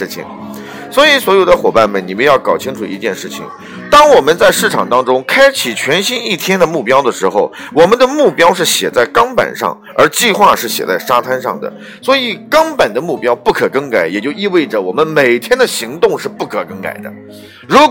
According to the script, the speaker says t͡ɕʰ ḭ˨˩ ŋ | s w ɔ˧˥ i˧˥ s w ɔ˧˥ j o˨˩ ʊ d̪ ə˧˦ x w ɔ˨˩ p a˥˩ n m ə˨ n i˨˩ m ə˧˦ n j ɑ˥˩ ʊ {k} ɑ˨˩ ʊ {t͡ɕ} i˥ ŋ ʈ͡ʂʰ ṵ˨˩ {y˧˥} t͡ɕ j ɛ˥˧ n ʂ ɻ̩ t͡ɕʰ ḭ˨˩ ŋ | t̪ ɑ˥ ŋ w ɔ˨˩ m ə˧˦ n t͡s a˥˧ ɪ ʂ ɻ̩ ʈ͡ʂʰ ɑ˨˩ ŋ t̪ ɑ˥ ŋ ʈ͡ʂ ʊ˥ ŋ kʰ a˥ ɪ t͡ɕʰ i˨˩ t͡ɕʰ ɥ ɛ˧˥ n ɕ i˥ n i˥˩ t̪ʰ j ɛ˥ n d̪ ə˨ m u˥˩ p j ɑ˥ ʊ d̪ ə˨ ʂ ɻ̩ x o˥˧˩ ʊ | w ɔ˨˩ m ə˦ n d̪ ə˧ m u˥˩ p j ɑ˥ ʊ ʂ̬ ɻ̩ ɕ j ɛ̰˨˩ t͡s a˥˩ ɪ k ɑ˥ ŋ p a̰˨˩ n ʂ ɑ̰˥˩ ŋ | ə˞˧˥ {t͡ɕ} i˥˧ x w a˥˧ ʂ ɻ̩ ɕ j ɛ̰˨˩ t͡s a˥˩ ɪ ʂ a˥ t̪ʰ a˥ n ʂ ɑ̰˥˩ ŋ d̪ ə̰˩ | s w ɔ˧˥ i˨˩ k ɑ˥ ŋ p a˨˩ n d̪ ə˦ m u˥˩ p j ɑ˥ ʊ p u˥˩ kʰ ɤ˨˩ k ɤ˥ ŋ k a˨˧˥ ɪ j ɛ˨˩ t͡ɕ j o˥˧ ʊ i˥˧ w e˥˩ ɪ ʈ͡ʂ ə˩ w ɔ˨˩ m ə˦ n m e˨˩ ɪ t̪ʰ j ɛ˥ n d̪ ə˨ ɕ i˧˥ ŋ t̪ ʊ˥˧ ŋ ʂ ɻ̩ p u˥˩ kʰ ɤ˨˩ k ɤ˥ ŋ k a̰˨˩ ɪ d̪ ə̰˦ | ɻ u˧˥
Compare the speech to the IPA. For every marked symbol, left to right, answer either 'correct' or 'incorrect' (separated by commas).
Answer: correct, incorrect, incorrect, correct